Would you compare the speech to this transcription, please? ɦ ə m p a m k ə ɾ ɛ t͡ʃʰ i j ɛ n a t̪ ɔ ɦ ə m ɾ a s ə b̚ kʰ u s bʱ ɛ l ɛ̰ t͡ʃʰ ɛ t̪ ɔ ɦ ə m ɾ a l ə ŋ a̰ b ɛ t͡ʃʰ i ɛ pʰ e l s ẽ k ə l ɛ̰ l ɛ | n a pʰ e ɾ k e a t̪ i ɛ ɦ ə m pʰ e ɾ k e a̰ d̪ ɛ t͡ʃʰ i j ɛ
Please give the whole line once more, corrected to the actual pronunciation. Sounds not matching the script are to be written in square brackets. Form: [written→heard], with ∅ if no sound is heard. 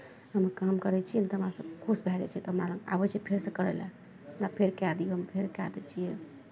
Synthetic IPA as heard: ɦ ə m [p→k] a m k ə ɾ ɛ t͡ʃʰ i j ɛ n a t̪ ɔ ɦ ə m ɾ a s ə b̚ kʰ u s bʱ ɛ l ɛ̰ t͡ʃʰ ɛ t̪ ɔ ɦ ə m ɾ a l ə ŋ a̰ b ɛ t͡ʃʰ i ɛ pʰ e [l→ɾ] s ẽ k ə [l→ɾ] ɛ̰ l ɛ | n a pʰ e ɾ k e a [t̪→d̪] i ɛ ɦ ə m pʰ e ɾ k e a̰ d̪ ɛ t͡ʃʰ i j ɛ